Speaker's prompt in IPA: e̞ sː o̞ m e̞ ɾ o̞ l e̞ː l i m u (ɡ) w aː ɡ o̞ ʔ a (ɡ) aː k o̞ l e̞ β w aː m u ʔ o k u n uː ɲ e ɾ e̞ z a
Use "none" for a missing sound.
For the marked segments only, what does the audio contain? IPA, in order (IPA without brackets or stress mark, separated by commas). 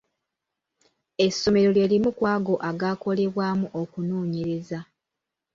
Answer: k, ɡ